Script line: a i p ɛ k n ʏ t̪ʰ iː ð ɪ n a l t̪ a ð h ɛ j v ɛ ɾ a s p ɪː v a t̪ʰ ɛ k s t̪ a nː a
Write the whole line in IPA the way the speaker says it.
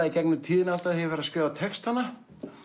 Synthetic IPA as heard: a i c ɛ k n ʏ t̪ʰ iː ð ɪ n a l t̪ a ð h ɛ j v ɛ ɾ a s k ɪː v a t̪ʰ ɛ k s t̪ a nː a